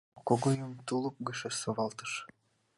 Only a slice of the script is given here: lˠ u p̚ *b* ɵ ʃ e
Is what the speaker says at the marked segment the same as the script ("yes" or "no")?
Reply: no